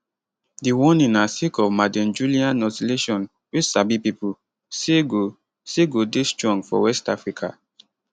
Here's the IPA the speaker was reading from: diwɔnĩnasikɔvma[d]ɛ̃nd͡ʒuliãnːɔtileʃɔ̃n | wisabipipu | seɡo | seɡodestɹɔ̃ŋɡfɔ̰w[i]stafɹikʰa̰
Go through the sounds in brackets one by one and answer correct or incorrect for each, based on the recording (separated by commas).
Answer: correct, incorrect